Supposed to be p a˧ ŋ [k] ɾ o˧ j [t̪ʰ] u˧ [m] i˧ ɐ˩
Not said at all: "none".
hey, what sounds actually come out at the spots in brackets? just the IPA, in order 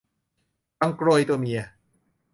k, t̪, m

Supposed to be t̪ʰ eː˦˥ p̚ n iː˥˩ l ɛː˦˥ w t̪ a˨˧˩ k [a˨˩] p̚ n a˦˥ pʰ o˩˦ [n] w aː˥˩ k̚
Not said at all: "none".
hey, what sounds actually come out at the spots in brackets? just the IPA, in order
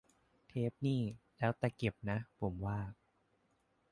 e˨˩, m

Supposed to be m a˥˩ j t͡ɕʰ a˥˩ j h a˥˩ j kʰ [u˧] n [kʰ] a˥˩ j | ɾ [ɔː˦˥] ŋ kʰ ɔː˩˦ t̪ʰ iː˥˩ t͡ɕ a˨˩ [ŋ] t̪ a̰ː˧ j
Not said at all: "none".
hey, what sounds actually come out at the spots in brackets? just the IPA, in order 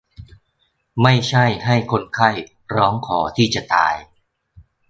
o˧, kʰ, ɔː˦˥, none

